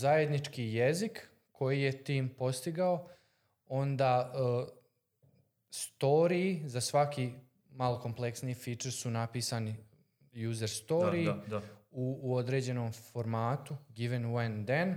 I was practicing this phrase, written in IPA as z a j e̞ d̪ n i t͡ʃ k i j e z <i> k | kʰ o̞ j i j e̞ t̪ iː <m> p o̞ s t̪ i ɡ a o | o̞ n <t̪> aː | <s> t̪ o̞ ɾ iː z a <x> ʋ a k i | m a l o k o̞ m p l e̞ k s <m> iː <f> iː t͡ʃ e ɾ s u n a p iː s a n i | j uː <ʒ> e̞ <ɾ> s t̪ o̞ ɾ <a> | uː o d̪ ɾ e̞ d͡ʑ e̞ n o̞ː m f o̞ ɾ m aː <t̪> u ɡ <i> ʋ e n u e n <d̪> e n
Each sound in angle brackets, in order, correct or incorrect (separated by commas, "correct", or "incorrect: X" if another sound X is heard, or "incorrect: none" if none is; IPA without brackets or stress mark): correct, correct, incorrect: d̪, correct, incorrect: s, incorrect: n, correct, incorrect: z, correct, incorrect: i, correct, correct, correct